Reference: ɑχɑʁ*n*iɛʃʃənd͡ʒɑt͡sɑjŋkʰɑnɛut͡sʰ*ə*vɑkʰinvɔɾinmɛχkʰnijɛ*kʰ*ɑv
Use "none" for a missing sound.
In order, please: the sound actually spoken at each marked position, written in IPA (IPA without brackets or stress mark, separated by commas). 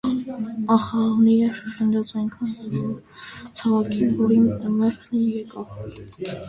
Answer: n, ɑ, k